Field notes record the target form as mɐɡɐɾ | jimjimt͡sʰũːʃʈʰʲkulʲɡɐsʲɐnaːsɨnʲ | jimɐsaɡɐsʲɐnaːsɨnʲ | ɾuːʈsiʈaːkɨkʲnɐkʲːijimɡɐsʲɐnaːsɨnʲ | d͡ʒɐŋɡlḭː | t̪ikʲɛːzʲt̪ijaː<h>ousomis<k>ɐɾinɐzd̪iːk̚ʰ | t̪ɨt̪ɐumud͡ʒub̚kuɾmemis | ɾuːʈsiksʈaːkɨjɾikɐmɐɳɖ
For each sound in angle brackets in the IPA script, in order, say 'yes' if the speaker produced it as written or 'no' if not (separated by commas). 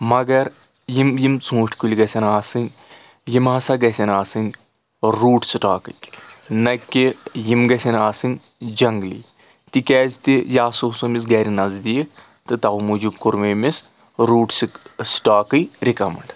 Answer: no, no